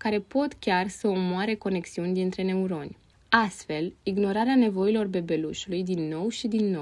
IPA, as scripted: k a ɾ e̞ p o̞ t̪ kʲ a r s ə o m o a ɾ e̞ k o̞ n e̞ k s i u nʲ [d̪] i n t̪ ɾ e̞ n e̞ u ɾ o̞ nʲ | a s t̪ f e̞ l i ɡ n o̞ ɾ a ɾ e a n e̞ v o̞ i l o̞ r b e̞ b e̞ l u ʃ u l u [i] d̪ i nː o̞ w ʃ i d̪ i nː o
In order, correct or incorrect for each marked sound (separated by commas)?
correct, incorrect